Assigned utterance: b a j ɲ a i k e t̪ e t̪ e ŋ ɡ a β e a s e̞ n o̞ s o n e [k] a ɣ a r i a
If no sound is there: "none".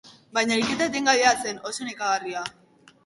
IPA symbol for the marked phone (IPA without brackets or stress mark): k